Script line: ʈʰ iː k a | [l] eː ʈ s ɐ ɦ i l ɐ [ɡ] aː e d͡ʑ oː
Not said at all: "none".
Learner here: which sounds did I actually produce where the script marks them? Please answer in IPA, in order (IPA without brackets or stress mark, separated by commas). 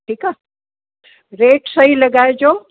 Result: ɾ, ɡ